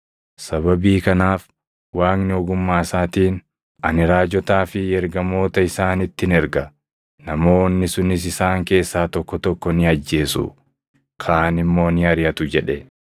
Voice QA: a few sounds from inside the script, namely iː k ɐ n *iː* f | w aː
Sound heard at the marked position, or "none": aː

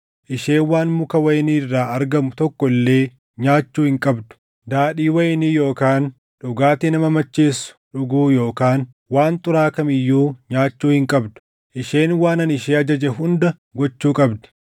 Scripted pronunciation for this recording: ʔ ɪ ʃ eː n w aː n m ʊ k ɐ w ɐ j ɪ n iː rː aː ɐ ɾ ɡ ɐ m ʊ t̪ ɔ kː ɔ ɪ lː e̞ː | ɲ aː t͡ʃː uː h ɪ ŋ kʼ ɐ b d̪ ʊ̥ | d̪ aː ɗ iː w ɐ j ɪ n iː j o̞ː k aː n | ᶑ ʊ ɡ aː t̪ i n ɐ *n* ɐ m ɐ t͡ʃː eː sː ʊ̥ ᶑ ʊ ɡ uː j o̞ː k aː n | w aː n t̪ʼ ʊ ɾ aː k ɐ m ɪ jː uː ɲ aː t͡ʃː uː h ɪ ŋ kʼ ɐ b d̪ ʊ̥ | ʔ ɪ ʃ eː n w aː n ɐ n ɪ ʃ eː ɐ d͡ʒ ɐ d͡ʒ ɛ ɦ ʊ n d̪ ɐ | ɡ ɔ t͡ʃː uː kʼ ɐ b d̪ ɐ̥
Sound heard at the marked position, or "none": m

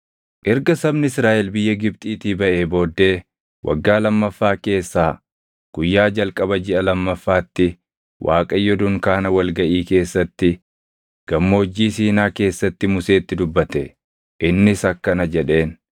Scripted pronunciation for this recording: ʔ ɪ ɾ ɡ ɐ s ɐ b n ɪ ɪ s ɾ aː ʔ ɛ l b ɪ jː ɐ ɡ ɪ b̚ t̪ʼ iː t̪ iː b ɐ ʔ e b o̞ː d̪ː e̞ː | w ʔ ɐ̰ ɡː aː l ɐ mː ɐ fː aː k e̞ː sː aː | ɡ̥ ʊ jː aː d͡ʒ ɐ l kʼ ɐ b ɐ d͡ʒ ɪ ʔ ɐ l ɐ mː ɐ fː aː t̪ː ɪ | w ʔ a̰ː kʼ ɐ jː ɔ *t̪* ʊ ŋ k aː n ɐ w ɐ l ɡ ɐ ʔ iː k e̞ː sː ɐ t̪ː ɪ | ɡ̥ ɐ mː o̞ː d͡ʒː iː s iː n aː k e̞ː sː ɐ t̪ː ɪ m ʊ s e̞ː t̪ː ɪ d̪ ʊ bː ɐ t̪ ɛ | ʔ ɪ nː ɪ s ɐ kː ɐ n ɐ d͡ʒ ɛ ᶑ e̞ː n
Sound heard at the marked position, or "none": d̪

